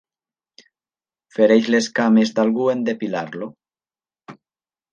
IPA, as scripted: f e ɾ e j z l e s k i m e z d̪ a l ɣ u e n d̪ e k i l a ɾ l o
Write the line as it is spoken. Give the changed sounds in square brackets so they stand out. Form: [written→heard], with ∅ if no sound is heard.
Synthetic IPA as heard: f e ɾ e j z l e s k [i→a] m e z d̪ a l ɣ u e n d̪ e [k→p] i l a ɾ l o